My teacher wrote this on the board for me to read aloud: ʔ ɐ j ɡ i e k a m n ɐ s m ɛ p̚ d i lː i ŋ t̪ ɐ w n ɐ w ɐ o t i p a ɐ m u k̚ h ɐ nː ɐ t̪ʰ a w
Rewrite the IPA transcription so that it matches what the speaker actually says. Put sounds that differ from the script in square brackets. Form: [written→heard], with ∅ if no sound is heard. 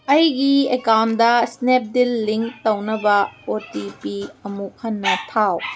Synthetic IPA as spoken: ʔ ɐ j ɡ i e k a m [n→d] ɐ s [m→n] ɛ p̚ d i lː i ŋ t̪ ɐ w n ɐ [w→b] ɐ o t i p [a→i] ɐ m u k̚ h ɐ nː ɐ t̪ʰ a w

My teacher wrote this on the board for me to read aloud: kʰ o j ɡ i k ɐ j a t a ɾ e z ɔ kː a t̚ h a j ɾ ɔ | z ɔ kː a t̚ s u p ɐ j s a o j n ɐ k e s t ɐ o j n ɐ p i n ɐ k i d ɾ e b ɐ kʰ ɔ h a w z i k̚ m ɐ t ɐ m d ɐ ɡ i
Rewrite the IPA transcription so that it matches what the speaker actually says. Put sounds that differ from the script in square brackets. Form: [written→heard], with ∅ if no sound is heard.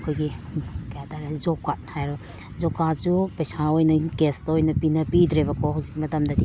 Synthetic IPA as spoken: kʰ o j ɡ i k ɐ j a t a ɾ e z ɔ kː a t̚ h a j ɾ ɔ | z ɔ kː a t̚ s u p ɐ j s a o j n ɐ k e s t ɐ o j n ɐ p i n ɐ [k→p] i d ɾ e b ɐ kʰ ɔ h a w z i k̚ m ɐ t ɐ m d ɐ [ɡ→d] i

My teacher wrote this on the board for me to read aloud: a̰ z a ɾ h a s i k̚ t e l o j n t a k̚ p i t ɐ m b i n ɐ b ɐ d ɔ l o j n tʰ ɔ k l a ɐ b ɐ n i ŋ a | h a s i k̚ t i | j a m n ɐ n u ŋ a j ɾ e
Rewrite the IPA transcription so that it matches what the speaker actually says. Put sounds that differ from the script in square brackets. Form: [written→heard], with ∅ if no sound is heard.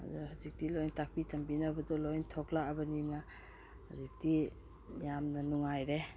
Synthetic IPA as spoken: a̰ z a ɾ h a [s→z] i k̚ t [e→i] l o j n t a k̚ p i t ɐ m b i n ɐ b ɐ d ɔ l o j n tʰ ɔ k l a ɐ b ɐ n i [ŋ→n] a | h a [s→z] i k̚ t i | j a m n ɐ n u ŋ a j ɾ e

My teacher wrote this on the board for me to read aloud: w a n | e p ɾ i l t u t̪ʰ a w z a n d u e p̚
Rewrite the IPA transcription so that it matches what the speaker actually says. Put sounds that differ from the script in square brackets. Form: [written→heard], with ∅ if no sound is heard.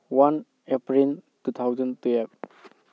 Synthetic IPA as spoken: w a n | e p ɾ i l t u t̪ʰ a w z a n [d→t] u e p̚

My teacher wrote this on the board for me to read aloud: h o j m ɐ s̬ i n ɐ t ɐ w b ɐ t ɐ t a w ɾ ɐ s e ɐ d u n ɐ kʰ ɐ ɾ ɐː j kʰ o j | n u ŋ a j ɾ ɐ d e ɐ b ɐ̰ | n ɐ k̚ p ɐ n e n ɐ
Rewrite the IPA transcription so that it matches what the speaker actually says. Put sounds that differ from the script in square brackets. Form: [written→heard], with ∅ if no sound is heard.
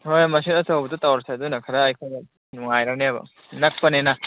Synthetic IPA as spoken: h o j m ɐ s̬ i n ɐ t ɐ w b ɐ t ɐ t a w ɾ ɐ s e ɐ d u n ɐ kʰ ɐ ɾ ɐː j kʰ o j | n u ŋ a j ɾ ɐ [d→n] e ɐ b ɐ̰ | n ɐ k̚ p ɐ n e n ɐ

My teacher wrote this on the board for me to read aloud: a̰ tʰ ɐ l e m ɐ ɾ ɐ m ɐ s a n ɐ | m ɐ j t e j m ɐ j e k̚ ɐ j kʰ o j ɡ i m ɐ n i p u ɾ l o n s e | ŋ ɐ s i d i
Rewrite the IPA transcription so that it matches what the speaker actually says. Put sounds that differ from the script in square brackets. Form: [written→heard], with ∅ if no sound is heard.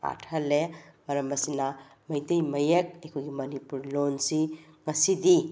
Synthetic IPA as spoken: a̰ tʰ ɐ l e m ɐ ɾ ɐ m ɐ s [a→i] n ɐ | m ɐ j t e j m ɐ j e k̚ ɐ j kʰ o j ɡ i m ɐ n i p u ɾ l o n s [e→i] | ŋ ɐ s i d i

